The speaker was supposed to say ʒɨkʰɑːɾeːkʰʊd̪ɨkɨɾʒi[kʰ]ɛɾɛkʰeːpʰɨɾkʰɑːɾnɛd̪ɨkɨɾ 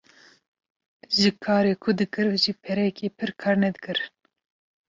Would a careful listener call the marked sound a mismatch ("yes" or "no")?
yes